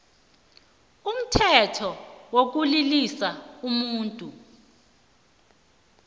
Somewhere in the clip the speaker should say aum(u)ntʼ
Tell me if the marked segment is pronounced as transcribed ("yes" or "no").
no